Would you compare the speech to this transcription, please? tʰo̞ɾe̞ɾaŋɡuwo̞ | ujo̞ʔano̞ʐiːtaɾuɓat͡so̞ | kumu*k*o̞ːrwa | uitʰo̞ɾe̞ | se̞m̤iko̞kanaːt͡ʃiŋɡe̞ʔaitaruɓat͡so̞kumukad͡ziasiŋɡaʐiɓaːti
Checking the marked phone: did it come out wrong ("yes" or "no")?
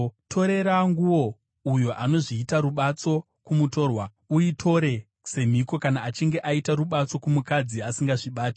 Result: yes